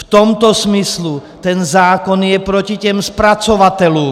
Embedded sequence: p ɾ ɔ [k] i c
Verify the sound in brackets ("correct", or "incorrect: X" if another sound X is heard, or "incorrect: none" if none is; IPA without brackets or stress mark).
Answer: incorrect: c